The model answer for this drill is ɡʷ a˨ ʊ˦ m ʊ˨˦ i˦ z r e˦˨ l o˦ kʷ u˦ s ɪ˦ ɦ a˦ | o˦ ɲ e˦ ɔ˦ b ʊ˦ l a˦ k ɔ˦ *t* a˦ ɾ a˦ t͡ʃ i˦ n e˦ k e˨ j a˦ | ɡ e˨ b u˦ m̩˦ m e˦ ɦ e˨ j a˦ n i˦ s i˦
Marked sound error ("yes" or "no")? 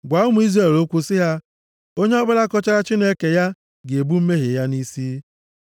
yes